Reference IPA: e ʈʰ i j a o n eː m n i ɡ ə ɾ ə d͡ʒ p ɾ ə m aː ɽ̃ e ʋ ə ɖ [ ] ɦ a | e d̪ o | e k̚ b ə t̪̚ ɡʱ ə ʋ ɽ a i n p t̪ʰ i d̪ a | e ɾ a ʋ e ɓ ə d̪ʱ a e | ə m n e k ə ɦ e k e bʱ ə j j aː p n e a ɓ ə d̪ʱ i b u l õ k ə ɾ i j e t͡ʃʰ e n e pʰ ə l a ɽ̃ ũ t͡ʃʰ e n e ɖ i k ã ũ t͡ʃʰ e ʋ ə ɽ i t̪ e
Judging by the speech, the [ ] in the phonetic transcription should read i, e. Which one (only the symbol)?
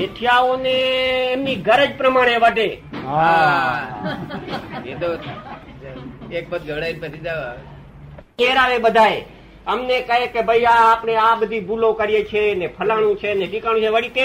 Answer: e